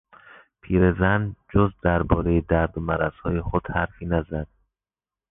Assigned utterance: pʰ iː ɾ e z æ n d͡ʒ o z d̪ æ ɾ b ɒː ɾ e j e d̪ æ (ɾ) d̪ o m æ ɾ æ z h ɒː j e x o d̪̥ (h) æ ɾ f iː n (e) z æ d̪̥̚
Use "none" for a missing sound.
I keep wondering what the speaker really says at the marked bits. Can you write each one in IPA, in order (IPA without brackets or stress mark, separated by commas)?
ɾ, h, æ